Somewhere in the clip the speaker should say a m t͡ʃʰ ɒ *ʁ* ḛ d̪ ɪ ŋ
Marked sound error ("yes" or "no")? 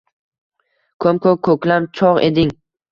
no